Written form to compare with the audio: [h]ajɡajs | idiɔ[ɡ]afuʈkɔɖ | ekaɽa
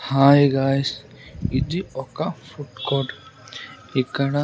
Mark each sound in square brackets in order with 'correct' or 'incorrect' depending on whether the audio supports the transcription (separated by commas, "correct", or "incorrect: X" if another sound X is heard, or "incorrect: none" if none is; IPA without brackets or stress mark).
correct, incorrect: k